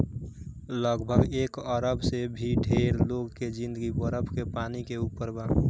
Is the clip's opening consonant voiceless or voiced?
voiced